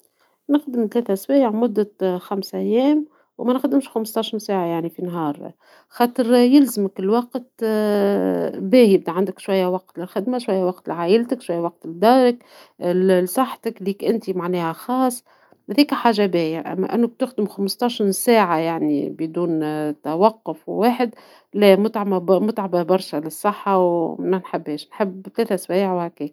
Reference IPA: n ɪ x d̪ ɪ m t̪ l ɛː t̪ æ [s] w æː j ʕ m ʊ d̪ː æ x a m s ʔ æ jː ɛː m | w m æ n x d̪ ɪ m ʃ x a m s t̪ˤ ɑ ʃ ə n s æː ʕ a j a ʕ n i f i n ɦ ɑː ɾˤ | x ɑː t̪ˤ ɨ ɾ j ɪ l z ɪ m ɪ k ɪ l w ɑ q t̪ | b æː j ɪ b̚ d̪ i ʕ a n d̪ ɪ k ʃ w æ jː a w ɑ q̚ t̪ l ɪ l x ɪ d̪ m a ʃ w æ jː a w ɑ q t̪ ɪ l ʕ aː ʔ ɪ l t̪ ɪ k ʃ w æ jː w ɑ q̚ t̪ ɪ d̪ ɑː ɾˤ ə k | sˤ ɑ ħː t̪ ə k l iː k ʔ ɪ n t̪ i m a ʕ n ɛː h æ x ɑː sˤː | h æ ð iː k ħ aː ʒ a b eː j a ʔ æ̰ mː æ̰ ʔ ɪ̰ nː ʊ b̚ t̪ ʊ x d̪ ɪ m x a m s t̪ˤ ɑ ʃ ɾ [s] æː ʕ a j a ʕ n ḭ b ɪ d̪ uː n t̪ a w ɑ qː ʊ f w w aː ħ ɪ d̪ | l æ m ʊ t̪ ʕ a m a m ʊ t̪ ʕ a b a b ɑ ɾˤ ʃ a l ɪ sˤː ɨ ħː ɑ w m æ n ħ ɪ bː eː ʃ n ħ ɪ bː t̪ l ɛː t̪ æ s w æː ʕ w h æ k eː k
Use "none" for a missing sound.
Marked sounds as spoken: s, s

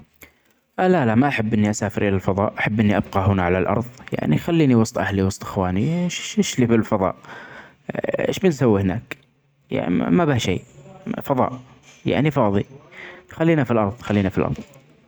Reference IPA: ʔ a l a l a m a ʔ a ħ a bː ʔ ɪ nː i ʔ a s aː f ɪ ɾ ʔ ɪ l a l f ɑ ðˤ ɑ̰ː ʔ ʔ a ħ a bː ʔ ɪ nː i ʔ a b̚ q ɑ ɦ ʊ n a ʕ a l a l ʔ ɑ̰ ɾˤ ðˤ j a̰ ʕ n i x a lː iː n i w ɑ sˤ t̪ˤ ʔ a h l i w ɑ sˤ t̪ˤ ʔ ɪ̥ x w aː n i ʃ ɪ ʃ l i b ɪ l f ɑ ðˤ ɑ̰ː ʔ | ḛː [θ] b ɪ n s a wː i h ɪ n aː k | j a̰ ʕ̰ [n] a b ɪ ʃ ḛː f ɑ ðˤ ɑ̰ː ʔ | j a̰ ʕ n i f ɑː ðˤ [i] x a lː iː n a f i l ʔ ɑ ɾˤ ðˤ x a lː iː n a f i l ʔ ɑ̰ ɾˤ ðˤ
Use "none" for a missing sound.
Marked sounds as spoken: ʃ, m, i

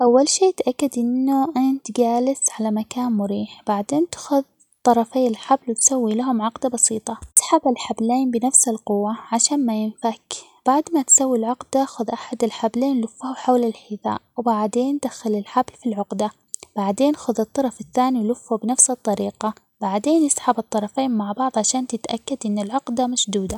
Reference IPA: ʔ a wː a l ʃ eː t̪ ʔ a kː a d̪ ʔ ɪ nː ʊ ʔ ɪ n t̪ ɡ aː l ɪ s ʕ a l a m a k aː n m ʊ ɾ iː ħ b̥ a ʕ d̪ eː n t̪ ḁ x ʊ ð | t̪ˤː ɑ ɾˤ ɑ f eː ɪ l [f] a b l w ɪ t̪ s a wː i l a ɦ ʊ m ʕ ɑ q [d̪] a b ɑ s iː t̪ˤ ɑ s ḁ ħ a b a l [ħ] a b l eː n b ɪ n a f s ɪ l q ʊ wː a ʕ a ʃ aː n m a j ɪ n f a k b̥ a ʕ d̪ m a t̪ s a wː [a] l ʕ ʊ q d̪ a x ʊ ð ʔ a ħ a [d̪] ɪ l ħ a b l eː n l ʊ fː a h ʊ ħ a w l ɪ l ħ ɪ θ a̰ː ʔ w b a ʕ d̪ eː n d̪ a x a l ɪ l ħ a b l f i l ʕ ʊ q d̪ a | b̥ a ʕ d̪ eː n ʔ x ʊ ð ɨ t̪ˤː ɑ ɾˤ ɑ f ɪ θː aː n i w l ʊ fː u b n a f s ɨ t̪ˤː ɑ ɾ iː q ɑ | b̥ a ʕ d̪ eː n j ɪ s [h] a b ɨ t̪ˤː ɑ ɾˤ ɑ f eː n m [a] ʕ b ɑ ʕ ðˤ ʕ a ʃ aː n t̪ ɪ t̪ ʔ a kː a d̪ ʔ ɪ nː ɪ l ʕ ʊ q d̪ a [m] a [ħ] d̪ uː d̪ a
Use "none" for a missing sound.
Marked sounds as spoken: ħ, d̪, ħ, i, d̪, ħ, a, m, ʃ

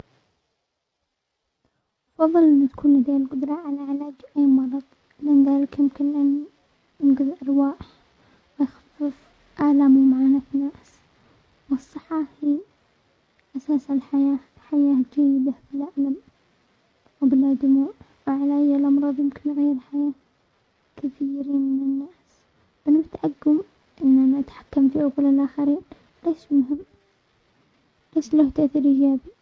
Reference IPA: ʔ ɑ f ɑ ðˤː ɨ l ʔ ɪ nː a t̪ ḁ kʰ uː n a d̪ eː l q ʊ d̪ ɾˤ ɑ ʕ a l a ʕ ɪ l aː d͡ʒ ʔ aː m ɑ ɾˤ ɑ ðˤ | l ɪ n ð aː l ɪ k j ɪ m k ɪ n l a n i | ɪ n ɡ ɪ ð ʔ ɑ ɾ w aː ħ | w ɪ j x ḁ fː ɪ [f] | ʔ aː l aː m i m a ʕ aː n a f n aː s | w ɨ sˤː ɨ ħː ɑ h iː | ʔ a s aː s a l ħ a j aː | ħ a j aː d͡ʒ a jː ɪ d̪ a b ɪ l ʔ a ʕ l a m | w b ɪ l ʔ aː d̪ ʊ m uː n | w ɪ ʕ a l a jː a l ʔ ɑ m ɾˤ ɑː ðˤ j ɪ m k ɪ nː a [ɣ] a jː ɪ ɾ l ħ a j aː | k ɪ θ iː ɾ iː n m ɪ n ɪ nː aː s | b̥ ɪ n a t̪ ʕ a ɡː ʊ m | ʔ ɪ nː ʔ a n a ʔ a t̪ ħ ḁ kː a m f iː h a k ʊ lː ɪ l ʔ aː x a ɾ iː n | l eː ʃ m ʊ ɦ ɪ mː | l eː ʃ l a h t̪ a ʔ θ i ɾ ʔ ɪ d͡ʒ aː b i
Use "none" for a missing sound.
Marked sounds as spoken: f, ɣ

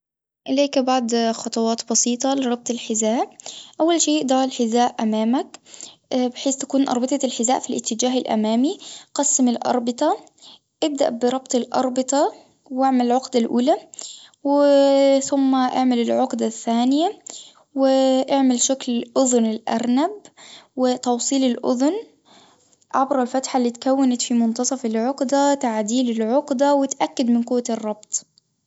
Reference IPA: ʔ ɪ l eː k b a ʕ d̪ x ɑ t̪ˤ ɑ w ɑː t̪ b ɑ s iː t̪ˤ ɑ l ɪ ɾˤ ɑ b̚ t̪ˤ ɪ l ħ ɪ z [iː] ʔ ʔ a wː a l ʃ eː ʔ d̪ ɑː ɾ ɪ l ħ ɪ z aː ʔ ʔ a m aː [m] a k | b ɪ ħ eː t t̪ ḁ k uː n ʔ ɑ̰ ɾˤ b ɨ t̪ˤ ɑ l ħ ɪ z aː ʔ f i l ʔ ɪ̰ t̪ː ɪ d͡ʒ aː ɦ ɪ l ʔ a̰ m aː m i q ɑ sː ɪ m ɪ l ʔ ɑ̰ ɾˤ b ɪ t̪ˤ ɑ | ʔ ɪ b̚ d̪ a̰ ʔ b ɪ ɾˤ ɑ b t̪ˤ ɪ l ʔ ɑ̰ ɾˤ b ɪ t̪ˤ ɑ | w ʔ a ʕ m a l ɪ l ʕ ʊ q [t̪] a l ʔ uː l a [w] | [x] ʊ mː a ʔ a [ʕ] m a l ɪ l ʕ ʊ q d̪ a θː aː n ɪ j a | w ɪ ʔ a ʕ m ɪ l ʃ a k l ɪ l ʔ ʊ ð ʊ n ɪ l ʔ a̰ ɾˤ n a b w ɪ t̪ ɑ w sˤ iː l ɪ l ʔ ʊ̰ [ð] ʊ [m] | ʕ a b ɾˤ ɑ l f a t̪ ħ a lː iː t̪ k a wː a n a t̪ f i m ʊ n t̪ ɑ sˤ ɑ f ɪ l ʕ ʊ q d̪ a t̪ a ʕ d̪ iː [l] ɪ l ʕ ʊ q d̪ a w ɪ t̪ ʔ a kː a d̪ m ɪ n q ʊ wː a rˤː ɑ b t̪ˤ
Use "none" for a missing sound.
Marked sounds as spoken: aː, m, d̪, w, θ, ʕ, ð, n, l

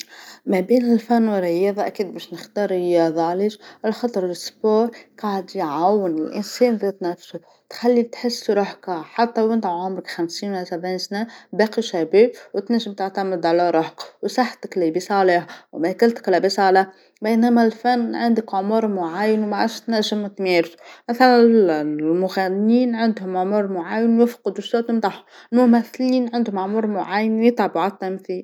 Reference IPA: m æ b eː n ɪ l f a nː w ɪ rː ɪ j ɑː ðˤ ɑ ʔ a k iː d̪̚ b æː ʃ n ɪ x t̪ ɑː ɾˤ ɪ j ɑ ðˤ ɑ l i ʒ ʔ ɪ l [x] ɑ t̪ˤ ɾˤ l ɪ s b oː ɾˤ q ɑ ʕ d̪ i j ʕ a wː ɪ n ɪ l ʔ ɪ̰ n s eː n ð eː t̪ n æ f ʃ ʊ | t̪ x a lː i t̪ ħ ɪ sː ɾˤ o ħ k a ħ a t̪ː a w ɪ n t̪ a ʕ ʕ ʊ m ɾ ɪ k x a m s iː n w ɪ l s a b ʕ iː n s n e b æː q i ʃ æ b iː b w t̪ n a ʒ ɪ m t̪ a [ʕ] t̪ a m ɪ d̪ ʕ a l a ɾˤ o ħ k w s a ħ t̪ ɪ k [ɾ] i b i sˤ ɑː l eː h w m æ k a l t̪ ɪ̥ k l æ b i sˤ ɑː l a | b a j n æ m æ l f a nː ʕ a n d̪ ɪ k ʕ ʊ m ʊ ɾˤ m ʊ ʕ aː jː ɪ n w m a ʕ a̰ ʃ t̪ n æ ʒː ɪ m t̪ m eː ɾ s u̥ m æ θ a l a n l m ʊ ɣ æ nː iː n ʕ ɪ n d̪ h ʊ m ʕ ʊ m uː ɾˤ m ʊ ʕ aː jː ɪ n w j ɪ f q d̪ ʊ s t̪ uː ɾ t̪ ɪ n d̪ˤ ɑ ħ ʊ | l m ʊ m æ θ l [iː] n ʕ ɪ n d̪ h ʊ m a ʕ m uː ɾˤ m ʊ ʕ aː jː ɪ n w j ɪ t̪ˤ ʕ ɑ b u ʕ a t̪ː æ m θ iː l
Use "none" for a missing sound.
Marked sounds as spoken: x, ʕ, l, iː

